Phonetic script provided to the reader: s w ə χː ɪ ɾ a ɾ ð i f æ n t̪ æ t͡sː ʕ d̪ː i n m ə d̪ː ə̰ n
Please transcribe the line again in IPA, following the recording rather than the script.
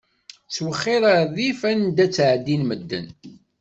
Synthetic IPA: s w ə χː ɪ ɾ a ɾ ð i f æ n d̪ æ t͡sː ʕ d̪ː i n m ə d̪ː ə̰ n